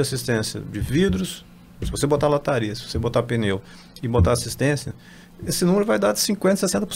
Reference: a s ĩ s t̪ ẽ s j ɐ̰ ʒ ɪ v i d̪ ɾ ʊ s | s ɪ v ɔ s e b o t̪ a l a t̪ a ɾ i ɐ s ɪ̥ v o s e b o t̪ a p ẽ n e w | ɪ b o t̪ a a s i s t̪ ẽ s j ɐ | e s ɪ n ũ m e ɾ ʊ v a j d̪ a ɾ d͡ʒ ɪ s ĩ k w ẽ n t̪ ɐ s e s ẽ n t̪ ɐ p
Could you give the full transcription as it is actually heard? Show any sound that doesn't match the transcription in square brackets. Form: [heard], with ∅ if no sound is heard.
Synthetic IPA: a s [i] s t̪ ẽ s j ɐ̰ [d͡ʒ] ɪ v i d̪ ɾ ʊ s | s ɪ v [o] s e b o t̪ a l a t̪ a ɾ i ɐ s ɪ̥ v o s e b o t̪ a p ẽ n e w | ɪ b o t̪ a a s i s t̪ ẽ s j ɐ | e s ɪ n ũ m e ɾ ʊ v a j d̪ a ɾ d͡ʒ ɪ s ĩ k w ẽ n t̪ ɐ s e s ẽ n t̪ ɐ p